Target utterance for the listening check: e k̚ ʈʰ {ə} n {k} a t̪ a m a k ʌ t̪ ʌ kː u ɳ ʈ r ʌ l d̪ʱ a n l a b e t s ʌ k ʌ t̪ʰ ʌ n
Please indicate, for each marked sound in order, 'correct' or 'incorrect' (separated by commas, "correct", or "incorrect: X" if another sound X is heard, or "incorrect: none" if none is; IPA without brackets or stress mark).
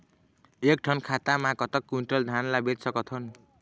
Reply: incorrect: ʌ, incorrect: kʰ